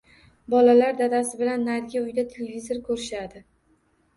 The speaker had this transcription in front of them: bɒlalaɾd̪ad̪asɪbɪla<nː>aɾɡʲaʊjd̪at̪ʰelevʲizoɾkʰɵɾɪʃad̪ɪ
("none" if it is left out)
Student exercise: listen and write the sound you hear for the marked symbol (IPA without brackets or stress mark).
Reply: nː